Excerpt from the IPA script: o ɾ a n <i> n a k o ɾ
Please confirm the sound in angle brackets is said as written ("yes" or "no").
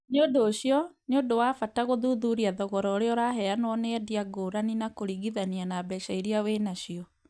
yes